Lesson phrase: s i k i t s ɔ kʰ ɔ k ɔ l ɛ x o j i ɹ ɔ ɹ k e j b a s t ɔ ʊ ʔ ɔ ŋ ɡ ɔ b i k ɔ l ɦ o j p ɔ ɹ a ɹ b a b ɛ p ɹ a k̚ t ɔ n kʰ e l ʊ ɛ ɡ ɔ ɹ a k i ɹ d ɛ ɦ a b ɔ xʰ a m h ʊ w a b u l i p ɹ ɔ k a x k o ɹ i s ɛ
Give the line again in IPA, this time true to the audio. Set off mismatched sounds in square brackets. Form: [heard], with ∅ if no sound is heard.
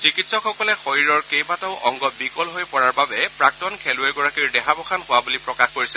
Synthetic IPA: s i k i t s ɔ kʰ ɔ k ɔ l ɛ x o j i ɹ ɔ ɹ k e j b a [∅] t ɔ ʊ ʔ ɔ ŋ ɡ ɔ b i k ɔ l ɦ o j p ɔ ɹ a ɹ b a b ɛ p ɹ a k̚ t ɔ n kʰ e l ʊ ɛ ɡ ɔ ɹ a k i ɹ d ɛ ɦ a b ɔ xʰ a [n] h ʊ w a b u l i p ɹ ɔ k a x k o ɹ i s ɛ